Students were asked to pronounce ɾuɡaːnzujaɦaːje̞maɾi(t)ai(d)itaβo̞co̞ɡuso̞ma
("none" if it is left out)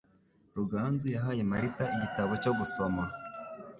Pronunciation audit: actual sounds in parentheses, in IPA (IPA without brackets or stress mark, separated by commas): t, ɟ